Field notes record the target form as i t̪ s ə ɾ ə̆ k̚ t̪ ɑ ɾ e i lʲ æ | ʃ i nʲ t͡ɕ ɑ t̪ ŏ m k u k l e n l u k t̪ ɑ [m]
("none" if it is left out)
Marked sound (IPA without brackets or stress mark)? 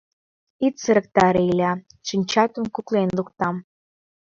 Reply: m